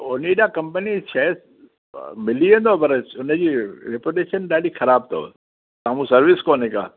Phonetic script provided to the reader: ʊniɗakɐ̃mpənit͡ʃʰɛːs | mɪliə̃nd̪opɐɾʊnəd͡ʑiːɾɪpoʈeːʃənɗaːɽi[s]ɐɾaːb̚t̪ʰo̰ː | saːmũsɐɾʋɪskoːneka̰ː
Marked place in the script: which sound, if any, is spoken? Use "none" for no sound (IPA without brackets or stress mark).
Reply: x